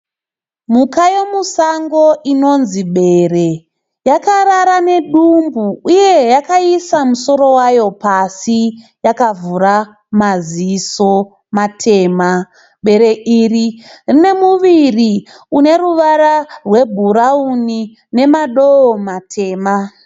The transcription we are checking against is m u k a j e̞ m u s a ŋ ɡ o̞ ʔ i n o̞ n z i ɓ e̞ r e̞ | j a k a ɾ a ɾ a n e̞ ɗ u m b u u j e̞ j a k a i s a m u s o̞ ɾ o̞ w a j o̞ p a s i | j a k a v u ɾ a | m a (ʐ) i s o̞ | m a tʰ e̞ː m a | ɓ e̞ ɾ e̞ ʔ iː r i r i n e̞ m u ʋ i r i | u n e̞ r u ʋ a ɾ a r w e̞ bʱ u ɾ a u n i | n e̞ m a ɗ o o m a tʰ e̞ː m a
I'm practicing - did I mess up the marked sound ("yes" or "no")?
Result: yes